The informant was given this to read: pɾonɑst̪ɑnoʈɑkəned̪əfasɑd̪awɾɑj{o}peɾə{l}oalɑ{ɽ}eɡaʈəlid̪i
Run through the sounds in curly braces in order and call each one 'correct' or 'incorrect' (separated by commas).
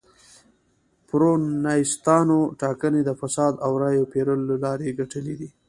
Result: correct, correct, incorrect